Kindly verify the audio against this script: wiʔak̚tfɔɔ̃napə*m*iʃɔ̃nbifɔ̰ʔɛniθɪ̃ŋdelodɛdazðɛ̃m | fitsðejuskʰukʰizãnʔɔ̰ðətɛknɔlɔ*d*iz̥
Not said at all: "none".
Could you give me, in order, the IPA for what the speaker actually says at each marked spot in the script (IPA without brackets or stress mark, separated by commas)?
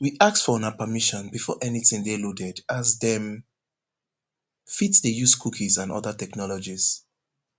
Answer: m, d͡ʒ